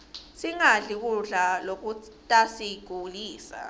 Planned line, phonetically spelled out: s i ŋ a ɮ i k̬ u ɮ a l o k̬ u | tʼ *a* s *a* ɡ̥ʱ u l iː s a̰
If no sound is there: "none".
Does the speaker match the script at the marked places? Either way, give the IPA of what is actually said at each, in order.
a, i

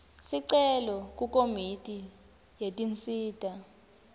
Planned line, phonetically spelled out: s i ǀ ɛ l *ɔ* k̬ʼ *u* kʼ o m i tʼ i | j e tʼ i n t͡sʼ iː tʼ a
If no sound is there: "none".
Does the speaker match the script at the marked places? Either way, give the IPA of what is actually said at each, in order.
ɔ, u

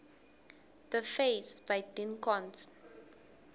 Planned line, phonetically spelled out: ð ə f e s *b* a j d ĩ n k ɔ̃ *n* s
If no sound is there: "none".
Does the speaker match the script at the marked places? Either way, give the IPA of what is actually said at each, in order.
b, n

